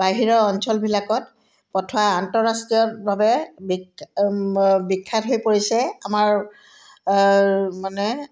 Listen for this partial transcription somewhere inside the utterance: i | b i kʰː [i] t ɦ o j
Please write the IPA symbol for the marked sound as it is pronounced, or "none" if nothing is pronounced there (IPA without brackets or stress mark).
a